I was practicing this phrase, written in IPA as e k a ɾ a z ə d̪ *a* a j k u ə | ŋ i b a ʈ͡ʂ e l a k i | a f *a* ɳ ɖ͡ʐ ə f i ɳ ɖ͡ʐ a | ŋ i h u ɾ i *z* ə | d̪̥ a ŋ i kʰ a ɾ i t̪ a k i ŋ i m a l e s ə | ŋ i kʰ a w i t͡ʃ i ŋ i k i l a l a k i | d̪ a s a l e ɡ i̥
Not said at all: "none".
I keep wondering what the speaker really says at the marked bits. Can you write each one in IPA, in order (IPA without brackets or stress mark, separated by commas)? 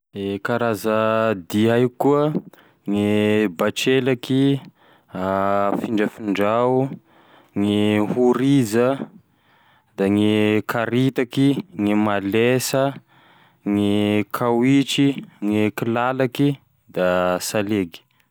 i, i, z